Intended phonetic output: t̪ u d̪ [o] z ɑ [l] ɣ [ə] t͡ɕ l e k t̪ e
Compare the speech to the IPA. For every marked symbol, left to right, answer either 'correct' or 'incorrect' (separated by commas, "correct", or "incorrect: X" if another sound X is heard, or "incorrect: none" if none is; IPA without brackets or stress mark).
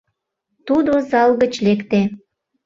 correct, correct, correct